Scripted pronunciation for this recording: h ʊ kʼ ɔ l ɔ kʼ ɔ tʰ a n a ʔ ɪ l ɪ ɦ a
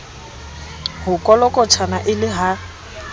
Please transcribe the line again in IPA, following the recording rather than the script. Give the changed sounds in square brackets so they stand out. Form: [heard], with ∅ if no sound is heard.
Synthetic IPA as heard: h ʊ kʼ ɔ l ɔ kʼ ɔ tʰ a n a ʔ ɪ l ɪ ɦ a